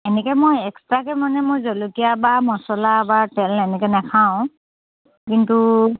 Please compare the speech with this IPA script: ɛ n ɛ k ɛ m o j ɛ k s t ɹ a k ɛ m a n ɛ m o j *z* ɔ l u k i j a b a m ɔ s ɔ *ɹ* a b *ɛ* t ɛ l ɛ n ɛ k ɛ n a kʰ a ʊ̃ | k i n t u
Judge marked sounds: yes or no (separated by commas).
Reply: yes, no, no